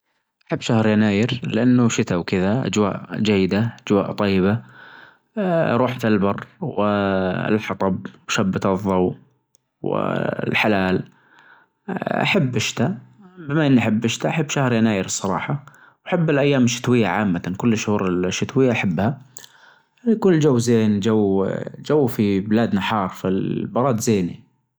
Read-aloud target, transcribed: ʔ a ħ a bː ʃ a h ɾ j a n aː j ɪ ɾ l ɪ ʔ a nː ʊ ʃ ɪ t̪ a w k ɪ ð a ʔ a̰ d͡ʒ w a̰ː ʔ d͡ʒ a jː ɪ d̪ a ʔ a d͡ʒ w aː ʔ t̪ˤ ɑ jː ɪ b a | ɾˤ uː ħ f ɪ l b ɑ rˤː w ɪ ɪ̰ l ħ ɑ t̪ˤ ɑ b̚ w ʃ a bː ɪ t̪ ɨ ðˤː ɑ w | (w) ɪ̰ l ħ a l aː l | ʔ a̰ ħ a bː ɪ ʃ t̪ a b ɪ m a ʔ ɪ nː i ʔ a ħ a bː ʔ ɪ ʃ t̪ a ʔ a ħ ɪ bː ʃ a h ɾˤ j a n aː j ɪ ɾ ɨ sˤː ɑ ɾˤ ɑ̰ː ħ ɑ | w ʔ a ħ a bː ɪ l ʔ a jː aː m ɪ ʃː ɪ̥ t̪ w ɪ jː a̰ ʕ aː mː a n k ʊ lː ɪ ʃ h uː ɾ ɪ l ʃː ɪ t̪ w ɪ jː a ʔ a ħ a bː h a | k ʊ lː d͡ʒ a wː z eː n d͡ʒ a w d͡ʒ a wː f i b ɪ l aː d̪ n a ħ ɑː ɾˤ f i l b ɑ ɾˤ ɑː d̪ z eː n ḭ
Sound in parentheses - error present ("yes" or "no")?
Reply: no